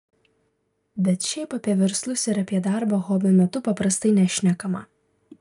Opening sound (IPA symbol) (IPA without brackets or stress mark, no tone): bʲ